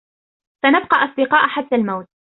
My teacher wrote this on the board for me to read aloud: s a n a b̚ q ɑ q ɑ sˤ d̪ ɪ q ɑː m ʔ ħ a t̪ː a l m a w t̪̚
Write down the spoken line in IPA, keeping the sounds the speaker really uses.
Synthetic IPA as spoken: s a n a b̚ q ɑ ʔ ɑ sˤ d̪ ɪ q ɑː ʔ ħ a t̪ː a l m a w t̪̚